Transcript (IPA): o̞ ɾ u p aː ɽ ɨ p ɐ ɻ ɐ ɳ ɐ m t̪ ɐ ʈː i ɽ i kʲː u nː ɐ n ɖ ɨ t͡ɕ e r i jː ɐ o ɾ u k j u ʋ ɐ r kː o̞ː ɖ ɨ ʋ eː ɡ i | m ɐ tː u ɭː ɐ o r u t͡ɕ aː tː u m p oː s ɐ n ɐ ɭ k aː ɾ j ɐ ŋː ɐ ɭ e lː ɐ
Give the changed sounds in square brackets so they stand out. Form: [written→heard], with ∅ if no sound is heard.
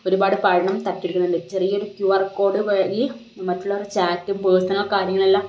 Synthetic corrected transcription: o̞ ɾ u [p→b] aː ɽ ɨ p ɐ ɻ ɐ ɳ ɐ m t̪ ɐ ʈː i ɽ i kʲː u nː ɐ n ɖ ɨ t͡ɕ e r i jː ɐ o ɾ u k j u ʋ ɐ r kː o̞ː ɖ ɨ ʋ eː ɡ i | m ɐ tː u ɭː ɐ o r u t͡ɕ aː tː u m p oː s ɐ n ɐ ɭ k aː ɾ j ɐ ŋː ɐ ɭ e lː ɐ